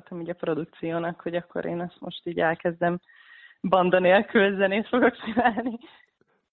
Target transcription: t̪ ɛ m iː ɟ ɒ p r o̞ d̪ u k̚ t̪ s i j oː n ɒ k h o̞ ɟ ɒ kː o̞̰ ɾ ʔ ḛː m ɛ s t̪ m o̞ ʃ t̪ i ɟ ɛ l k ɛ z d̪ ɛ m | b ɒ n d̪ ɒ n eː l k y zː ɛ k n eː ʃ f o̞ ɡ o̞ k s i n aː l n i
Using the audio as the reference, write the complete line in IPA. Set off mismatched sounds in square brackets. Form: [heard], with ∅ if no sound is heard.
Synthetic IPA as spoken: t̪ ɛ m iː ɟ ɒ p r o̞ d̪ u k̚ t̪ s i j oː n ɒ k h o̞ ɟ ɒ kː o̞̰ ɾ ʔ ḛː [n] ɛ s t̪ m o̞ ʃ t̪ [iː] ɟ ɛ l k ɛ z d̪ ɛ m | b ɒ n d̪ ɒ n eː l k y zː ɛ [∅] n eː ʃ f o̞ ɡ o̞ k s i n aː l n i